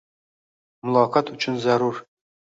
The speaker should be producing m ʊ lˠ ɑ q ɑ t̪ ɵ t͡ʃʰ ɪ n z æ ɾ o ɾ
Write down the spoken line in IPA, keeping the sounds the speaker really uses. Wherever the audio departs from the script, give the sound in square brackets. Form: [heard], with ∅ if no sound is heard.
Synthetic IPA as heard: m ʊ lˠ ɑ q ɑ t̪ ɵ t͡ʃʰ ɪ n z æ ɾ [u] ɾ